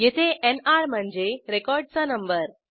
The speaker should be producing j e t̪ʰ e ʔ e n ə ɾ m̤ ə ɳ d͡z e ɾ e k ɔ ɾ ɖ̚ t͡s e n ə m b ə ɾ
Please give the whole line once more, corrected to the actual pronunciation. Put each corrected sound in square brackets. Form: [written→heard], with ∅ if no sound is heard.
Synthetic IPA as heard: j e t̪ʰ e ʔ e n [ə→a] ɾ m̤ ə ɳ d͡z e ɾ e k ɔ ɾ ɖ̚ t͡s [e→a] n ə m b ə ɾ